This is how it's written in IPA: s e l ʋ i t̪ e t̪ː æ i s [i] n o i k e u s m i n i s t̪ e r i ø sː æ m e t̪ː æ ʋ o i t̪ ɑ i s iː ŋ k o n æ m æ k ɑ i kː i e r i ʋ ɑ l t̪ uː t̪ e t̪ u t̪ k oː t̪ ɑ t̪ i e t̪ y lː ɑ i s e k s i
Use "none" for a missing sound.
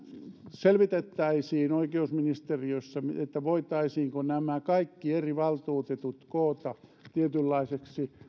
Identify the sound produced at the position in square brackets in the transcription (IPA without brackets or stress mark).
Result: iː